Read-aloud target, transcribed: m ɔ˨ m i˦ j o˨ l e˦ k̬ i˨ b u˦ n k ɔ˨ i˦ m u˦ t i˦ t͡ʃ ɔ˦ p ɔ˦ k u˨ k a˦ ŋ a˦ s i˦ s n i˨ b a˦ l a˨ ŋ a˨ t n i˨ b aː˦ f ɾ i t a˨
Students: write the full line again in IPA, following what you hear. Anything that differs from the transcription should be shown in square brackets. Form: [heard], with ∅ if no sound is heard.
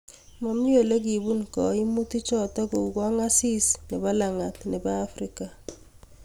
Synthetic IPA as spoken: m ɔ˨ m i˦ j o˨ l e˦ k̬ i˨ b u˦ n k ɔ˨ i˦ m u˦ t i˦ t͡ʃ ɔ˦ [t] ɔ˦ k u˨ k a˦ ŋ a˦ s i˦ s n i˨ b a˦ l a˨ ŋ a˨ t n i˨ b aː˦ f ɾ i [k] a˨